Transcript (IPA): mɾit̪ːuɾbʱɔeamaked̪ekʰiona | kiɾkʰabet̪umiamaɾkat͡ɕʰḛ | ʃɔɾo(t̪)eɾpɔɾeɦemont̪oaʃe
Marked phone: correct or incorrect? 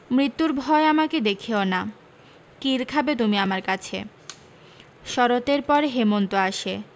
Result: correct